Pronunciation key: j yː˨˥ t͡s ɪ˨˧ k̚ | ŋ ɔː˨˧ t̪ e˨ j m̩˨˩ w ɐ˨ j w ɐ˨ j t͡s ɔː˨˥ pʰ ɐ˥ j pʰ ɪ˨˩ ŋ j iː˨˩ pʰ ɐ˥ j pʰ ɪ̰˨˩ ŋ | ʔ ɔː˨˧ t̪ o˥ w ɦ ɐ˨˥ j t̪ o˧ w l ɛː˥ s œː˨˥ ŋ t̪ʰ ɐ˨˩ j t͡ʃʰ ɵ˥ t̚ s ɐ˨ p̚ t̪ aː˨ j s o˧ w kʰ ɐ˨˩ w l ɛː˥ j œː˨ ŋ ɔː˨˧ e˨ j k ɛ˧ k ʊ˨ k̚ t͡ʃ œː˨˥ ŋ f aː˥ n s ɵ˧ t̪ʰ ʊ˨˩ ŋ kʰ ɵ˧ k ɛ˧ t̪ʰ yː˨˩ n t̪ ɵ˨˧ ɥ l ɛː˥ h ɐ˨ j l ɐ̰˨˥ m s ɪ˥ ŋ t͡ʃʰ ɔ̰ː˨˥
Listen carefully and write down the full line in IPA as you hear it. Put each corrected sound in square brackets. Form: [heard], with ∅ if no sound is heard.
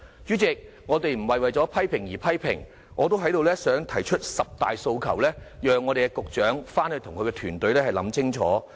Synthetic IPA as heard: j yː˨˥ t͡s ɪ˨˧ k̚ | ŋ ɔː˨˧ t̪ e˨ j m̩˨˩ w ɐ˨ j w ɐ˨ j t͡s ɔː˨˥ pʰ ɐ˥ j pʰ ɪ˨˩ ŋ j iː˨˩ pʰ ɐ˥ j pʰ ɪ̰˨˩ ŋ | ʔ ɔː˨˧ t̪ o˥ w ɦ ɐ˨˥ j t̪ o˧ w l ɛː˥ s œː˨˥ ŋ t̪ʰ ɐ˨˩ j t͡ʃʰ ɵ˥ t̚ s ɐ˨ p̚ t̪ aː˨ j s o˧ w kʰ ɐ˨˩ w l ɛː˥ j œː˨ ŋ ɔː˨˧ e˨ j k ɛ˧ k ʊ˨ k̚ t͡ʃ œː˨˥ ŋ f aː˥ n [h] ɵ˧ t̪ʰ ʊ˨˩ ŋ kʰ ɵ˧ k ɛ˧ t̪ʰ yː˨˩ n t̪ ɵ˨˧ ɥ l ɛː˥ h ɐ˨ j l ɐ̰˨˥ m [t͡s] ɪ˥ ŋ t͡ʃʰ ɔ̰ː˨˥